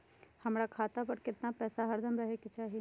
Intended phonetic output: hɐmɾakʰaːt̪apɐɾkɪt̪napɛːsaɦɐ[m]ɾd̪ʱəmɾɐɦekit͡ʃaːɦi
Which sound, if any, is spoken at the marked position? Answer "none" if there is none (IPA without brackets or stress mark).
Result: none